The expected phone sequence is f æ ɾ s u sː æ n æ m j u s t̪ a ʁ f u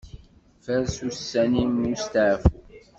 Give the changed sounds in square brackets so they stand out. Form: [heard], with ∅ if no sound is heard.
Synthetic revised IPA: f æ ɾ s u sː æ n [i] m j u s t̪ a [ʕ] f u